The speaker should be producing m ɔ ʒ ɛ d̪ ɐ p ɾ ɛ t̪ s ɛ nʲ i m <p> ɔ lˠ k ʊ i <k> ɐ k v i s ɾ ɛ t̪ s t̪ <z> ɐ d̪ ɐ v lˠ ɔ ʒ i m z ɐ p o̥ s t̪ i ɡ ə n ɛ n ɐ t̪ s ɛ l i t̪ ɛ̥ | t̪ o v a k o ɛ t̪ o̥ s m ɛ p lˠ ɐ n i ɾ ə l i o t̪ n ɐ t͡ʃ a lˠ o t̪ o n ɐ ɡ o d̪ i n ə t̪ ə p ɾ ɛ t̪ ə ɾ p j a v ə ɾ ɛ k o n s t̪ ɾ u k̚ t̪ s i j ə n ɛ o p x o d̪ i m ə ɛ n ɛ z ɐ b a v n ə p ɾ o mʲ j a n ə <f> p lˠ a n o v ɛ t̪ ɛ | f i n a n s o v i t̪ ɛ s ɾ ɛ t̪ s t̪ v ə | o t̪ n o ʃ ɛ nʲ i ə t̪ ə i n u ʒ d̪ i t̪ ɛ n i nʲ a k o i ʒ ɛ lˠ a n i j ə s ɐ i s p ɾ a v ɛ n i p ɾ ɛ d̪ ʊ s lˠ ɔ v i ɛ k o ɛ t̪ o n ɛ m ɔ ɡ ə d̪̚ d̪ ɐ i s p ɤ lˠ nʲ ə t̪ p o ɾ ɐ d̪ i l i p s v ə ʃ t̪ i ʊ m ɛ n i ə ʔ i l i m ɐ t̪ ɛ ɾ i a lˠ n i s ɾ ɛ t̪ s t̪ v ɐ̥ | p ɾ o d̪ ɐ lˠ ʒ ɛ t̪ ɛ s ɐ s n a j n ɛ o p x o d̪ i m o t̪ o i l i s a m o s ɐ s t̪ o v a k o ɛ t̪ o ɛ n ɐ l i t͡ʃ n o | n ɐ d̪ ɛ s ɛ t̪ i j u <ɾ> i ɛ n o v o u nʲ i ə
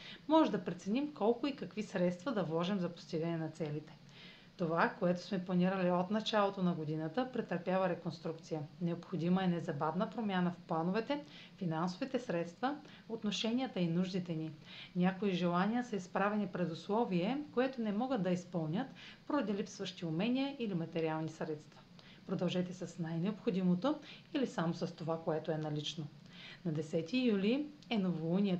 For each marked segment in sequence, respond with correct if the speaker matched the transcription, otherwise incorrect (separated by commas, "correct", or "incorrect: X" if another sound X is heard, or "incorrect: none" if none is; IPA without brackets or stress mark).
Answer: incorrect: k, correct, incorrect: v, correct, incorrect: l